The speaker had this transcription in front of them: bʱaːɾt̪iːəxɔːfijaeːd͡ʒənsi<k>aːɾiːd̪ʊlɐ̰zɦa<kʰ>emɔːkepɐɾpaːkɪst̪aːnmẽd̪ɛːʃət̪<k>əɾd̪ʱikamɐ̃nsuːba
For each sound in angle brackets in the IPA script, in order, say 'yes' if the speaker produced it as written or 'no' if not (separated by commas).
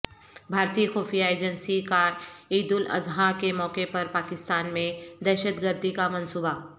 yes, no, no